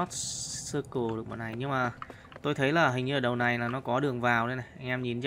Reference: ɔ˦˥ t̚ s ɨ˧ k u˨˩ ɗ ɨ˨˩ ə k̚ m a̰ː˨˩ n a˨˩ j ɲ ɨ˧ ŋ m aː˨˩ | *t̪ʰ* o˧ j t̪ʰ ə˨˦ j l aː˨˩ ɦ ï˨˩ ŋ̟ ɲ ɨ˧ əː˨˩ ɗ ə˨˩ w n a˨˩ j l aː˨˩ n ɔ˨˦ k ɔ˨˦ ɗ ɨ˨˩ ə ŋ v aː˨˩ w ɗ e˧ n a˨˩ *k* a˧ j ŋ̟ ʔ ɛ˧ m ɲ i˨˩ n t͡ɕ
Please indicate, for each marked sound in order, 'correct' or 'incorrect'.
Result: incorrect, incorrect

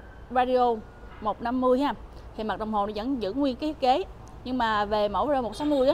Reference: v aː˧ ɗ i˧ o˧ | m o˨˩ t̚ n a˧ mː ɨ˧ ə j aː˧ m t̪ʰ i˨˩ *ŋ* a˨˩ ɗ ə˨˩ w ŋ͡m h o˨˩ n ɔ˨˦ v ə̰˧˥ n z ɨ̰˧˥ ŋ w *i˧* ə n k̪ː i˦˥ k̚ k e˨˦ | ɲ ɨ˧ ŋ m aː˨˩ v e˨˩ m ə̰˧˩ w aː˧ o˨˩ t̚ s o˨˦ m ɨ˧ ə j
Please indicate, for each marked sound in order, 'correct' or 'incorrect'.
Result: incorrect, correct

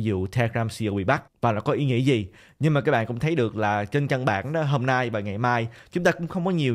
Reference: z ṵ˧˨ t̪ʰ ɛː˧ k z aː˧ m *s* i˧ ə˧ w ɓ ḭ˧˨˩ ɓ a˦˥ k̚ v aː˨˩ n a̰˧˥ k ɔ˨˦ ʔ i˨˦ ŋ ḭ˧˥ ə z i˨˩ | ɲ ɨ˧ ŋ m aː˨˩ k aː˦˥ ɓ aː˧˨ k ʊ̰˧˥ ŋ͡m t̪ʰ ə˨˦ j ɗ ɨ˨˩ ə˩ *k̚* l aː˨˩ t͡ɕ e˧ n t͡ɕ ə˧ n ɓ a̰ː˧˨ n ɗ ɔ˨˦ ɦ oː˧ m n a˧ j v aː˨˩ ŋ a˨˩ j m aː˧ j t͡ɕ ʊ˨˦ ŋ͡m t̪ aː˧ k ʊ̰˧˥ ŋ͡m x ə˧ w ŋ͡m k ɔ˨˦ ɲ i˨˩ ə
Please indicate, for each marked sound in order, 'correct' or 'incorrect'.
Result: correct, correct

